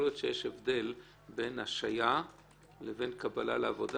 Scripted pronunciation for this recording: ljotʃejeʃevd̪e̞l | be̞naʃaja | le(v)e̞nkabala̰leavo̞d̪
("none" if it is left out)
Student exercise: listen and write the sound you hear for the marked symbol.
v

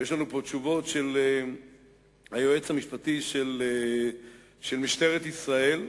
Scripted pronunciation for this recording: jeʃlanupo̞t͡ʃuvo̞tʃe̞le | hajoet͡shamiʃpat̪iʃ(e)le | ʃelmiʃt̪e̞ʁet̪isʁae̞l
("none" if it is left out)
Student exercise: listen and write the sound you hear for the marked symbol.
e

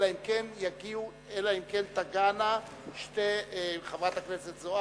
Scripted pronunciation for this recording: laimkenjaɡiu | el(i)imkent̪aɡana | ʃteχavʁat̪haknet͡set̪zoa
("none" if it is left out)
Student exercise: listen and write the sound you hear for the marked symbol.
a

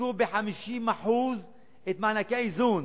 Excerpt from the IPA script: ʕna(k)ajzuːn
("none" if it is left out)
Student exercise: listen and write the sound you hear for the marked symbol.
k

